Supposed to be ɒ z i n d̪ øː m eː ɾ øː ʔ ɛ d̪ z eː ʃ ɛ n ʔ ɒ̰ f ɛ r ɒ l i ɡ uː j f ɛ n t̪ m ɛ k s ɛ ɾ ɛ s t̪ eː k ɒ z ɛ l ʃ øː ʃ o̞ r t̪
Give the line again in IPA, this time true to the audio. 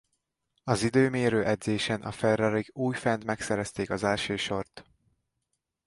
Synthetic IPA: ɒ z i d̪ øː m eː ɾ øː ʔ ɛ d̪ z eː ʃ ɛ n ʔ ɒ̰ f ɛ r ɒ ɾ i ɡ uː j f ɛ n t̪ m ɛ k s ɛ ɾ ɛ s t̪ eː k ɒ z ɛ l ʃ øː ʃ o̞ r t̪

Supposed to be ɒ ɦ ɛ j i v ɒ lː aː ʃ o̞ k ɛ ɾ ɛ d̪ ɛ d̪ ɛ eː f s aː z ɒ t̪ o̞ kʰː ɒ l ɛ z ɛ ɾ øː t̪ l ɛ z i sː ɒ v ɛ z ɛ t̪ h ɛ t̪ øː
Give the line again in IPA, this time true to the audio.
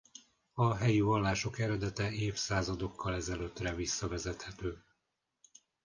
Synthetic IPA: ɒ ɦ ɛ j i v ɒ lː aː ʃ o̞ k ɛ ɾ ɛ d̪ ɛ t̪ ɛ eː f s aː z ɒ d̪ o̞ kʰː ɒ l ɛ z ɛ l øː t̪ r ɛ v i sː ɒ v ɛ z ɛ t̪ h ɛ t̪ øː

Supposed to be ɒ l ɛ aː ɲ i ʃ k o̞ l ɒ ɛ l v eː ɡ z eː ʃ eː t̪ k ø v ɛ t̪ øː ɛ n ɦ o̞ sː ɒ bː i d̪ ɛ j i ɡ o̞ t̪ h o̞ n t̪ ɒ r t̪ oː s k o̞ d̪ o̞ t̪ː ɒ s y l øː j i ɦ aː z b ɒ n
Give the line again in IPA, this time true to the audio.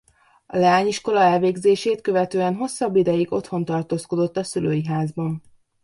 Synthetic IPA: ɒ l ɛ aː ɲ i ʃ k o̞ l ɒ ɛ l v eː ɡ z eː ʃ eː t̪ k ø v ɛ t̪ øː ɛ n ɦ o̞ sː ɒ bː i d̪ ɛ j i ɡ o̞ t̪ h o̞ n t̪ ɒ r t̪ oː s k o̞ d̪ o̞ t̪ː ɒ s y l øː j i ɦ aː z b ɒ n

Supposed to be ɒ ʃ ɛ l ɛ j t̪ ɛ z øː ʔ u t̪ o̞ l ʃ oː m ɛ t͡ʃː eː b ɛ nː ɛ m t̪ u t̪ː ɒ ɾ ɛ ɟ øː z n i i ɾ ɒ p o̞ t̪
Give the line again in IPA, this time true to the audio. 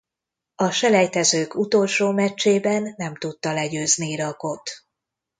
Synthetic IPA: ɒ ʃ ɛ l ɛ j t̪ ɛ z øː k u t̪ o̞ l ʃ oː m ɛ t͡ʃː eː b ɛ nː ɛ m t̪ u t̪ː ɒ l ɛ ɟ øː z n i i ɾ ɒ k o̞ t̪

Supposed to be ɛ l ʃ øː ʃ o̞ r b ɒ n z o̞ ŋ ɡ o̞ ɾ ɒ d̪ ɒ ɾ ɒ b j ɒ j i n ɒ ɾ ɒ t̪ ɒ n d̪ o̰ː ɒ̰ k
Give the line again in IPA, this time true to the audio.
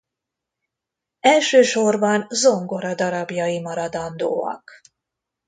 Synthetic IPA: ɛ l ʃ øː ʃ o̞ r b ɒ n z o̞ ŋ ɡ o̞ ɾ ɒ d̪ ɒ ɾ ɒ b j ɒ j i m ɒ ɾ ɒ d̪ ɒ n d̪ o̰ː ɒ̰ k

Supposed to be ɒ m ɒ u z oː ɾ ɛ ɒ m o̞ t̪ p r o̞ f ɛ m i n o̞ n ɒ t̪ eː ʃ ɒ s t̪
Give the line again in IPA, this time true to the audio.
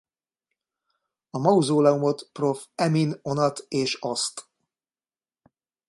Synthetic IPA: ɒ m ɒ u z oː l ɛ u m o̞ t̪ p r o̞ f ɛ m i n o̞ n ɒ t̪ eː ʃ ɒ s t̪

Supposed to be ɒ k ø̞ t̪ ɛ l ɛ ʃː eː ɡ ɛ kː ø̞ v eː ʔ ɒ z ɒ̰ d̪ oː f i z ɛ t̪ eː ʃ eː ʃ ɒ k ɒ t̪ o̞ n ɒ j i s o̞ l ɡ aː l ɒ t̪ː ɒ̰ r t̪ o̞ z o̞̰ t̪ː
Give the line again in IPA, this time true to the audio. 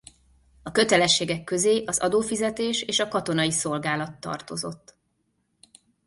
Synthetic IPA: ɒ k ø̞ t̪ ɛ l ɛ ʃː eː ɡ ɛ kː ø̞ z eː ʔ ɒ z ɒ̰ d̪ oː f i z ɛ t̪ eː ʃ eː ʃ ɒ k ɒ t̪ o̞ n ɒ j i s o̞ l ɡ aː l ɒ t̪ː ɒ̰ r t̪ o̞ z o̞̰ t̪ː

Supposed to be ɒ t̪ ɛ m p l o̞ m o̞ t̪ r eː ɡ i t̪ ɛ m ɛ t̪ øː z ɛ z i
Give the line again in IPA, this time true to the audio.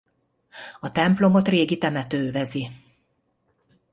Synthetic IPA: ɒ t̪ ɛ m p l o̞ m o̞ t̪ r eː ɡ i t̪ ɛ m ɛ t̪ øː v ɛ z i

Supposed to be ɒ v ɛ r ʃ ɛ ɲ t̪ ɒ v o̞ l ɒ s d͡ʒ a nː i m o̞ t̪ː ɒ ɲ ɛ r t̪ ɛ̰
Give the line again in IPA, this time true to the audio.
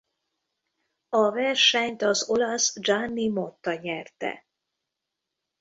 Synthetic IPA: ɒ v ɛ r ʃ ɛ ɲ t̪ ɒ z o̞ l ɒ s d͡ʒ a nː i m o̞ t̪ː ɒ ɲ ɛ r t̪ ɛ̰

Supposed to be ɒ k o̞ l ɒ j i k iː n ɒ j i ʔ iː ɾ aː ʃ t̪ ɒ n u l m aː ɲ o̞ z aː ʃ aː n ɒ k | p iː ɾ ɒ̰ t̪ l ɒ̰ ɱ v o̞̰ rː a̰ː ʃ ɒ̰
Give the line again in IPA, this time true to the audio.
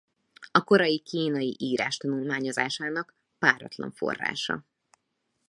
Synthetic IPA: ɒ k o̞ ɾ ɒ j i k iː n ɒ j i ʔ iː ɾ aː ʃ t̪ ɒ n u l m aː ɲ o̞ z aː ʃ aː n ɒ k | p aː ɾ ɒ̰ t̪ l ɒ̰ ɱ f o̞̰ rː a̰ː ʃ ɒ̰

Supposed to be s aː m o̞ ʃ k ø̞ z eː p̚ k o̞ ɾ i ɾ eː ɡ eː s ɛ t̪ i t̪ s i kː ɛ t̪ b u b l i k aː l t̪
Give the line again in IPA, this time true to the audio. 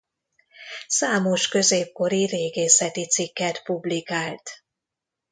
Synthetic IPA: s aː m o̞ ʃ k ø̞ z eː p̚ k o̞ ɾ i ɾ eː ɡ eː s ɛ t̪ i t̪ s i kː ɛ t̪ p u b l i k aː l t̪

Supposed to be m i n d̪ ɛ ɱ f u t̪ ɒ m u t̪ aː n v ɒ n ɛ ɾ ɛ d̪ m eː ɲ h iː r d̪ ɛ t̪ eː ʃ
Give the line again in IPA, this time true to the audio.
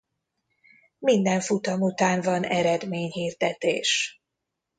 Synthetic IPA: m i n d̪ ɛ ɱ f u t̪ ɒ m u t̪ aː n v ɒ n ɛ ɾ ɛ d̪ m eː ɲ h iː r d̪ ɛ t̪ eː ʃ

